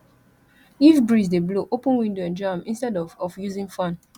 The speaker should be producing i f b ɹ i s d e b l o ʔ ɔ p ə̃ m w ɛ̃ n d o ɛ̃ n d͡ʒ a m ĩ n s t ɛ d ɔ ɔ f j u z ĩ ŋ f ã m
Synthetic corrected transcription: i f b ɹ i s d e b l o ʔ o p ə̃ n w ĩ n d o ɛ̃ n d͡ʒ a m ĩ n s t ɛ d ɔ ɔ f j u z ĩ ŋ f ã n